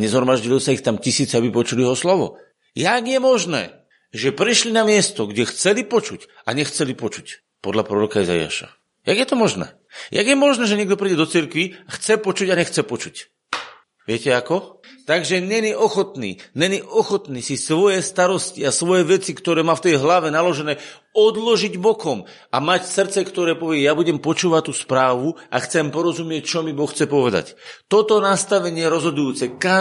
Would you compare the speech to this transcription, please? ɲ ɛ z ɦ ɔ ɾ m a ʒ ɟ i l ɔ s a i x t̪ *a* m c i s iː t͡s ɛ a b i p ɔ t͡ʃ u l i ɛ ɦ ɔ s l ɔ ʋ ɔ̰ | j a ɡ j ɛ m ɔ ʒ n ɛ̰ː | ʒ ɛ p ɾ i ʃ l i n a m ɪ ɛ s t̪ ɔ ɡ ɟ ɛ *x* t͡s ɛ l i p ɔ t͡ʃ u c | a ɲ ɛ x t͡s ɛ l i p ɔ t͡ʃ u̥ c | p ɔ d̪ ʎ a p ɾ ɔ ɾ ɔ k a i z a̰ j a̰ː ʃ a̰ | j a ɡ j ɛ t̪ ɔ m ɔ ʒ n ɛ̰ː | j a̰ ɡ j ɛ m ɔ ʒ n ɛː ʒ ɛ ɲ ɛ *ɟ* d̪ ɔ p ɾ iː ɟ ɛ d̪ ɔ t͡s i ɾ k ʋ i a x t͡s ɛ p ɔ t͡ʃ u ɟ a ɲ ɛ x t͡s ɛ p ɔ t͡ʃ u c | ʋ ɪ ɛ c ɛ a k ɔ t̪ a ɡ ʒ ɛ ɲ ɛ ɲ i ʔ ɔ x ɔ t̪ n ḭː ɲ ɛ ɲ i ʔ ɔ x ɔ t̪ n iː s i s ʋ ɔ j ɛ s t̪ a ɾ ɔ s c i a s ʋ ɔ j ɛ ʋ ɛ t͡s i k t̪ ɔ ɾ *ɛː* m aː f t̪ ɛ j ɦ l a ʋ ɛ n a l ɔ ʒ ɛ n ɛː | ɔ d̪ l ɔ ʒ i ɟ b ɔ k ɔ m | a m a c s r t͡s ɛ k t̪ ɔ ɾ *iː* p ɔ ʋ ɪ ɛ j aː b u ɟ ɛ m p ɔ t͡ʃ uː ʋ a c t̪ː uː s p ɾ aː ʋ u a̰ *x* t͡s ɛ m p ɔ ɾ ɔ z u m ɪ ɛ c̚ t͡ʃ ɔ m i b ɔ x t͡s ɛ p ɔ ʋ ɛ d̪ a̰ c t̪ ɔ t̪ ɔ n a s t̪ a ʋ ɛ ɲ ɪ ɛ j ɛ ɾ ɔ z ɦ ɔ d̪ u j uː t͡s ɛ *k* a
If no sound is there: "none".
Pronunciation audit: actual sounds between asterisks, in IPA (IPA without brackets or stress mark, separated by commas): a, x, ɡ, ɛː, ɛː, x, k